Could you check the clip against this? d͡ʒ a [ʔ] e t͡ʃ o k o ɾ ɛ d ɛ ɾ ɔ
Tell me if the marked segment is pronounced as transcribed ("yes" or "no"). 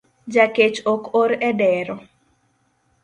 no